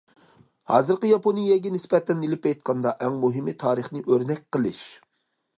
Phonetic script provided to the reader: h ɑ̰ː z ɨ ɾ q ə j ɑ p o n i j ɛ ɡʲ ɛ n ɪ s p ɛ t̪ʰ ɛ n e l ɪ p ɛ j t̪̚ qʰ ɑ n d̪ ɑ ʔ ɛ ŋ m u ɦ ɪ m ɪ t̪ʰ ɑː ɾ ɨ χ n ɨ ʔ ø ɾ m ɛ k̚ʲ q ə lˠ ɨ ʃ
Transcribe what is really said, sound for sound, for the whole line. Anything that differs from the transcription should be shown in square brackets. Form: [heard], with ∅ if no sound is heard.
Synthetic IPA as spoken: h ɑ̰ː z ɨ ɾ q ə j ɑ p o n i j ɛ ɡʲ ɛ n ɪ s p ɛ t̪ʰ ɛ n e l ɪ p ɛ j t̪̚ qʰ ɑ n d̪ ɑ ʔ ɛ ŋ m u ɦ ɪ m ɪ t̪ʰ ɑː ɾ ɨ χ n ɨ ʔ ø ɾ [n] ɛ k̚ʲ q ə lˠ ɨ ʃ